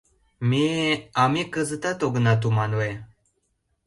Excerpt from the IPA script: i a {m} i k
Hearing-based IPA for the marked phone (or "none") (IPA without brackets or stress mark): m